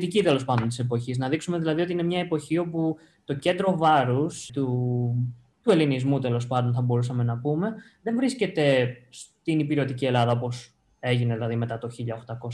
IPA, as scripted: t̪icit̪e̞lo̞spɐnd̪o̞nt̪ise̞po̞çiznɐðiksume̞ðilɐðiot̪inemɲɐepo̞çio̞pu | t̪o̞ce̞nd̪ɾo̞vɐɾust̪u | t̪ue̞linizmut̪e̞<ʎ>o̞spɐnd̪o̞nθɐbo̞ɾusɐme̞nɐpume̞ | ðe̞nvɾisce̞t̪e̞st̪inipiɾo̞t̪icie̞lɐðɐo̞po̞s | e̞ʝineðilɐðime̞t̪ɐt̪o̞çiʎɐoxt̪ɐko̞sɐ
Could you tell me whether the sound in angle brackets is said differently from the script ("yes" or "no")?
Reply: yes